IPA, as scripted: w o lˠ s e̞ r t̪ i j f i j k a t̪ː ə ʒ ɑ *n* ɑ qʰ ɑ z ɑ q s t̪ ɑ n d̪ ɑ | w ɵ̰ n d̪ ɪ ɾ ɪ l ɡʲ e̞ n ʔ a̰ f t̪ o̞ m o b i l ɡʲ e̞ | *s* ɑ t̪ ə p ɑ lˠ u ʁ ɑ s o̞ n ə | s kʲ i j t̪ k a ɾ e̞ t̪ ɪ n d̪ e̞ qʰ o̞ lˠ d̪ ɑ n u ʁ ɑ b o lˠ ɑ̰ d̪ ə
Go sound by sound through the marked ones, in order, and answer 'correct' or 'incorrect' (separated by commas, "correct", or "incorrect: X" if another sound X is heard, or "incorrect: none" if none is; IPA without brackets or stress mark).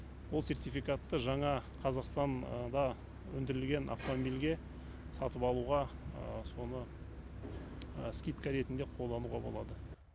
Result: incorrect: ɴ, correct